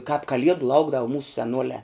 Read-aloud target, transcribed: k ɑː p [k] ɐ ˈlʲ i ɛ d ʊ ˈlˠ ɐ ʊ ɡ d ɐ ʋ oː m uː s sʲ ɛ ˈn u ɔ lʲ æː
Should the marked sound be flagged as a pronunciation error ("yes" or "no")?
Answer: no